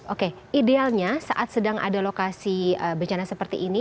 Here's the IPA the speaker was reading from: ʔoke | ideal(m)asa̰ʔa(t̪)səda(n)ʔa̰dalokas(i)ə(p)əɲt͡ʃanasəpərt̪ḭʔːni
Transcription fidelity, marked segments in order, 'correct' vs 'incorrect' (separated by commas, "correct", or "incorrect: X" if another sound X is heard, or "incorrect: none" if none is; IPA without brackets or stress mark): incorrect: ɲ, correct, incorrect: ŋ, correct, incorrect: b